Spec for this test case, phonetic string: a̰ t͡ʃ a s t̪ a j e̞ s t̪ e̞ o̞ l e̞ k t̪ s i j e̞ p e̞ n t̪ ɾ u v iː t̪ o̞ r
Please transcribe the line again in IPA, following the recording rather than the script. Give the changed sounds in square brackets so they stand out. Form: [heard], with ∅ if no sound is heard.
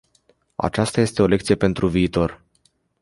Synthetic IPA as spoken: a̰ t͡ʃ a s t̪ a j e̞ s t̪ e̞ o̞ l e̞ k t̪ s i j e̞ p e̞ n t̪ ɾ u v iː t̪ o̞ r